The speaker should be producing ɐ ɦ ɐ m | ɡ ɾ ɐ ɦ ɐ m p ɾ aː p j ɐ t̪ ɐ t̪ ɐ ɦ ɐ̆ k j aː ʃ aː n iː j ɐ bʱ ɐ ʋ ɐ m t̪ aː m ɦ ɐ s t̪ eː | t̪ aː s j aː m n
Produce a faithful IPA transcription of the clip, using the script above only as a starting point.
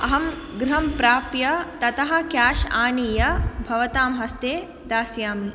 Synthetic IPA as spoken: ɐ ɦ ɐ m | ɡ ɾ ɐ ɦ ɐ m p ɾ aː p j ɐ t̪ ɐ t̪ ɐ ɦ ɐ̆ k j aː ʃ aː n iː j ɐ bʱ ɐ ʋ ɐ t̪ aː m ɦ ɐ s t̪ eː | d̪ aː s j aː m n